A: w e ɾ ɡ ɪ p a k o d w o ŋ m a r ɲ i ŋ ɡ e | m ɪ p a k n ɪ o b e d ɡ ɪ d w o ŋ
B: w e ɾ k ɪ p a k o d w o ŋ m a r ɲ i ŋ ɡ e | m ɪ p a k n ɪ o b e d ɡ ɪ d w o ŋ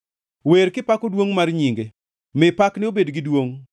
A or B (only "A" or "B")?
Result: B